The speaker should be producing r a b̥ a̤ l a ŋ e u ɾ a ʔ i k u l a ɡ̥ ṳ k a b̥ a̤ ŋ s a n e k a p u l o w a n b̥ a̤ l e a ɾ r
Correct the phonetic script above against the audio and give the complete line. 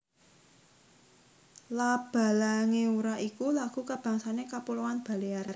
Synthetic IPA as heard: l a b̥ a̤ l a ŋ e u ɾ a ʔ i k u l a ɡ̥ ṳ k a b̥ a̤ ŋ s a n e k a p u l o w a n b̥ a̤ l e a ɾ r